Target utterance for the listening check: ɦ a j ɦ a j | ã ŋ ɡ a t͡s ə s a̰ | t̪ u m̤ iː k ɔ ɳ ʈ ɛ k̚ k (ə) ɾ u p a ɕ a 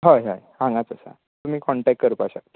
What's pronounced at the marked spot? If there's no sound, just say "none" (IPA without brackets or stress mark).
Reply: ə